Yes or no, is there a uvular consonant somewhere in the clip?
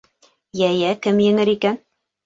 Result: no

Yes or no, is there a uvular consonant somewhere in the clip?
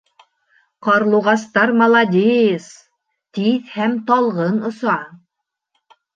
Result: yes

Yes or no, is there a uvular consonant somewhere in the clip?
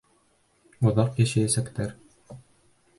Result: yes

